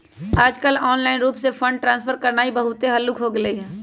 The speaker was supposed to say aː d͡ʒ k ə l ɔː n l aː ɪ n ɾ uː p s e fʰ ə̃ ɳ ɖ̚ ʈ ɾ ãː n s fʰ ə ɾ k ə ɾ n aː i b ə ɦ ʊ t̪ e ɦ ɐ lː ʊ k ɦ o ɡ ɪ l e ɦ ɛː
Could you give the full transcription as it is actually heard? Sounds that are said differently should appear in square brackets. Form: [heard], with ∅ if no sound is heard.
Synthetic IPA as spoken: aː d͡ʒ k ə l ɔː n l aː ɪ n ɾ uː p s e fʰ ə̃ ɳ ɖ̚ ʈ ɾ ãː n s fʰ ə ɾ k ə ɾ n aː i b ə ɦ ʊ t̪ e ɦ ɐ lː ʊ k ɦ o ɡ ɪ l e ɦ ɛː